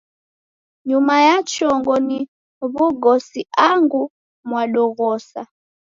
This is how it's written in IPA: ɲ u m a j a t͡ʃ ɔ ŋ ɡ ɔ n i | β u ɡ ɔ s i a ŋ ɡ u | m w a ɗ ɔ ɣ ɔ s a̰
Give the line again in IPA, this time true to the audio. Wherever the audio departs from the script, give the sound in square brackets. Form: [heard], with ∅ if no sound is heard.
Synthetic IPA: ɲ u m a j a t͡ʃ ɔ ŋ ɡ ɔ n i | β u ɡ ɔ s i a ŋ ɡ u | m w a ɗ ɔ ɣ ɔ s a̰